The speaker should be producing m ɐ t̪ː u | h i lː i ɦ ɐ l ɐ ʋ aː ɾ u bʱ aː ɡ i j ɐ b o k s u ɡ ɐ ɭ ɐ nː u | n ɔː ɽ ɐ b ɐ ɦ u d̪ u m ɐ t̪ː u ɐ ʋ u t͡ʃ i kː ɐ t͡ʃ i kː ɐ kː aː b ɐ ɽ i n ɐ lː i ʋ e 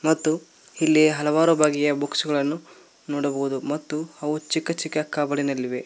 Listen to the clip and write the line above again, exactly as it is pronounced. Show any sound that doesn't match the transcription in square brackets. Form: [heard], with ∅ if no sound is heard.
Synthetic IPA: m ɐ t̪ː u | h i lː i ɦ ɐ l ɐ ʋ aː ɾ u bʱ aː ɡ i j ɐ b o k s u ɡ ɐ ɭ ɐ nː u | n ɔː ɽ ɐ b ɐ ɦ u d̪ u m ɐ t̪ː u ɐ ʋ u t͡ʃ i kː ɐ t͡ʃ i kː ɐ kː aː b ɐ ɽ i n ɐ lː i ʋ e